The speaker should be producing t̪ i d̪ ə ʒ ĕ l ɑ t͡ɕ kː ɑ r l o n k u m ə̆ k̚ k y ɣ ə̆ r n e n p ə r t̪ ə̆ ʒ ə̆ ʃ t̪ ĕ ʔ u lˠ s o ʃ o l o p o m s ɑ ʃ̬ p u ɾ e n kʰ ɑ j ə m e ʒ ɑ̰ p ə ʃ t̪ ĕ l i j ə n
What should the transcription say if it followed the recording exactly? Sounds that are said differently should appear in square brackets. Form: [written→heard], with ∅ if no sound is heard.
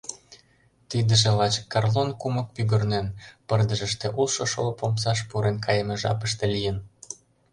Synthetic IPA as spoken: t̪ i d̪ ə ʒ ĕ l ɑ t͡ɕ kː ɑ r l o n k u m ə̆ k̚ [k→p] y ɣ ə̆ r n e n p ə r [t̪→d̪] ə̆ ʒ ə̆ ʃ t̪ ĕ ʔ u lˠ [s→ʃ] o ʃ o l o p o m s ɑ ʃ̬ p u ɾ e n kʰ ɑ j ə m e ʒ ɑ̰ p ə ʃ t̪ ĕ l i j ə n